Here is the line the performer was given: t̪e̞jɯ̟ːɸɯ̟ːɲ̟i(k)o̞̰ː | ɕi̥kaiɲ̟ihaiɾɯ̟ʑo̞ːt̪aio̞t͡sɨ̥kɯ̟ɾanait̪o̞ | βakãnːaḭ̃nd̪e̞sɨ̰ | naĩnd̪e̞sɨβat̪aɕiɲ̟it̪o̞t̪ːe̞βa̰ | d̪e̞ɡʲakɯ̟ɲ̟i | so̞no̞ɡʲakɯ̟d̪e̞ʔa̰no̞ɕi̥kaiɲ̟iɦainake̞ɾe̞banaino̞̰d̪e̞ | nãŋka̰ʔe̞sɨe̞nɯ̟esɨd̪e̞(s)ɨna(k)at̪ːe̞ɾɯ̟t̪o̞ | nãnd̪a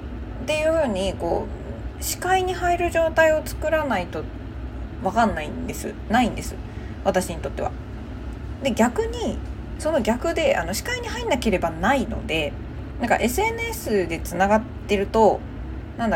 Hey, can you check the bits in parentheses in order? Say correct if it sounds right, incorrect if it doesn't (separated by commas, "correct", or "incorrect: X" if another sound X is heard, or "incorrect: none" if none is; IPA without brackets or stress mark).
correct, incorrect: t͡s, incorrect: ɡ